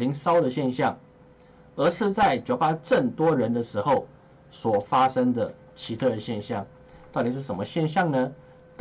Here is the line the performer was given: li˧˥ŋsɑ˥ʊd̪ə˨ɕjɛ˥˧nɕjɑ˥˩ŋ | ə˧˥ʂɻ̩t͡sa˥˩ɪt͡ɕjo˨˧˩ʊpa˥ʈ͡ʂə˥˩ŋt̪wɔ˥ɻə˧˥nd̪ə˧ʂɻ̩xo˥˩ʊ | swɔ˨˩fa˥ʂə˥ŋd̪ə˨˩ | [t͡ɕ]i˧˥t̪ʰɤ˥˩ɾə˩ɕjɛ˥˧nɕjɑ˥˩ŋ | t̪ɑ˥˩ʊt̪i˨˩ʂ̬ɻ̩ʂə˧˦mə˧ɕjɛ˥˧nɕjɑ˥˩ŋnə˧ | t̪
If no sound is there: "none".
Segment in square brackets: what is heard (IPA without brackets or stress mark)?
t͡ɕʰ